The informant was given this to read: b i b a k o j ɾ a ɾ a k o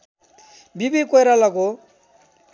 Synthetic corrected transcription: b i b i k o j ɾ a l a k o